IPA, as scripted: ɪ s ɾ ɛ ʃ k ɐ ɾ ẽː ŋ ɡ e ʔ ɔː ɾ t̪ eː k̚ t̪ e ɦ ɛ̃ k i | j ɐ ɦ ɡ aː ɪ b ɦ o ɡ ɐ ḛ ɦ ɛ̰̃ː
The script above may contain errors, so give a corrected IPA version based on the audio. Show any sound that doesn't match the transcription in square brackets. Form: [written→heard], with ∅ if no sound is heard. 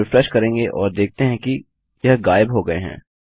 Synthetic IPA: ɪ [s→f] ɾ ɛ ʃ k ɐ ɾ ẽː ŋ ɡ e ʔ ɔː ɾ [t̪→d̪] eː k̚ t̪ e ɦ ɛ̃ k i | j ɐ ɦ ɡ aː ɪ b ɦ o ɡ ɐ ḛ ɦ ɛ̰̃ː